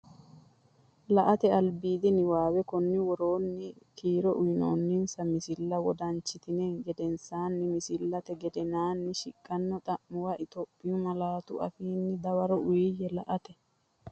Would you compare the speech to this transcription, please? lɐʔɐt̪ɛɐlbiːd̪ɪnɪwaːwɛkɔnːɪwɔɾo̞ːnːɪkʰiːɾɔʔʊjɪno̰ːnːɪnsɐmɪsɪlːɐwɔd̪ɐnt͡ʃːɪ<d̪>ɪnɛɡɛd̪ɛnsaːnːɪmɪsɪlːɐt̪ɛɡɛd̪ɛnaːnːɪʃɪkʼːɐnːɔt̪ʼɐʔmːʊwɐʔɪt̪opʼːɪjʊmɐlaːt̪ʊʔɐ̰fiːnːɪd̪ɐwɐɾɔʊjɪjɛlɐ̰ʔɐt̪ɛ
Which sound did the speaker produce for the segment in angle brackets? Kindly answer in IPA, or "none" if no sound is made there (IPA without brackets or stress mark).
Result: t̪